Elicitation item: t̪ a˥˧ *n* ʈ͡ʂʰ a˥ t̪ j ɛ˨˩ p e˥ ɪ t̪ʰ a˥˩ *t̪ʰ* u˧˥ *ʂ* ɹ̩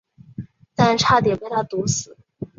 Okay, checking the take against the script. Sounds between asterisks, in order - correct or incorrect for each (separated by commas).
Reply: correct, incorrect, incorrect